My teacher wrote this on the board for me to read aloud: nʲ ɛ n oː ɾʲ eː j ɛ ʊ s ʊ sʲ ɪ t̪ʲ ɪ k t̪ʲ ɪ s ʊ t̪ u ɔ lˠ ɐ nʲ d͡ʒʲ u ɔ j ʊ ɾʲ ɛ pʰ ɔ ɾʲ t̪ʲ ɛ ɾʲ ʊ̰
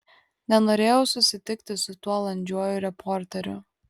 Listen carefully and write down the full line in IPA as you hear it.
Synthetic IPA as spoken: nʲ ɛ n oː ɾʲ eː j ɛ ʊ s ʊ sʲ ɪ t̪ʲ ɪ k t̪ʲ ɪ s ʊ t̪ u ɔ lˠ ɐ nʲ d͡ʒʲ u ɔ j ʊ ɾʲ ɛ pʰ ɔ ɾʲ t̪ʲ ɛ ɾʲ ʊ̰